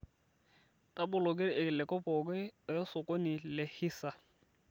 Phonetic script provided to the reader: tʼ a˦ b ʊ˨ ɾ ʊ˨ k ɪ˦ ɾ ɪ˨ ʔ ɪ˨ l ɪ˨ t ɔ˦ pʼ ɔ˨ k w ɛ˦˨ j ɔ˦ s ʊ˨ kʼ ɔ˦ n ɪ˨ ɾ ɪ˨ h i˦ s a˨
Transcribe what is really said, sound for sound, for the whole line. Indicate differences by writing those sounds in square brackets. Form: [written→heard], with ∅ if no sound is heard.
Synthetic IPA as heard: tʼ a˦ b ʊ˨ [ɾ→l] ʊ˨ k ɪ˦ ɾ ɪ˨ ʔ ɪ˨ l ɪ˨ [t→k] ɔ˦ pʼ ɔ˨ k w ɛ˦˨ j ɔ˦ s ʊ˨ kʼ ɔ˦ n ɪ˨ [ɾ→l] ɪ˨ h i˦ s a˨